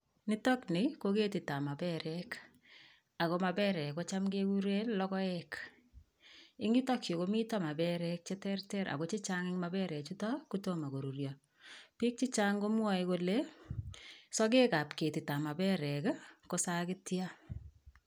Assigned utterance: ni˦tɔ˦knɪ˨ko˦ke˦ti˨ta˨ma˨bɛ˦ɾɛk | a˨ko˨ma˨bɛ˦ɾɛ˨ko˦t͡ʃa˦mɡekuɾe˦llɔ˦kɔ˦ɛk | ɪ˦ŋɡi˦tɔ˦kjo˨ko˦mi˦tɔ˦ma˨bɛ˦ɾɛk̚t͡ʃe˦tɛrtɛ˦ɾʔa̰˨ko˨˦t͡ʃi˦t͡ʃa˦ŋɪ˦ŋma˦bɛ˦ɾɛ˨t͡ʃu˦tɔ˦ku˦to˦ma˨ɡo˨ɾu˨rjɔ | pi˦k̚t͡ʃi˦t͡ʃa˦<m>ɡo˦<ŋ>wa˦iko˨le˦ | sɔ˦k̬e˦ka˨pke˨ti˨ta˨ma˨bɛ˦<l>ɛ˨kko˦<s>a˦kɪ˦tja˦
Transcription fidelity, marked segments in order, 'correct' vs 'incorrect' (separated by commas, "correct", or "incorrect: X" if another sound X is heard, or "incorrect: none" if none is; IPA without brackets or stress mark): incorrect: ŋ, incorrect: m, incorrect: ɾ, correct